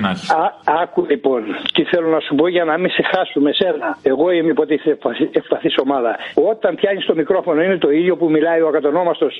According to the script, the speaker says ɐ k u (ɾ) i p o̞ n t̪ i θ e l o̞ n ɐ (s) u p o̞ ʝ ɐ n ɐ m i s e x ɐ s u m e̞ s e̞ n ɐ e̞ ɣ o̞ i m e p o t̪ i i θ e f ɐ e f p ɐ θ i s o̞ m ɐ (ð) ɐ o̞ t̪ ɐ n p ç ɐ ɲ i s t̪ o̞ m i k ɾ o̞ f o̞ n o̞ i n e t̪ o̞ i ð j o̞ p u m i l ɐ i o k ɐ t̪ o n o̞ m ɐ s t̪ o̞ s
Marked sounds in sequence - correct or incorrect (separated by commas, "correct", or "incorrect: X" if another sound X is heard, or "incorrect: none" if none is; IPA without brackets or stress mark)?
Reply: incorrect: l, correct, correct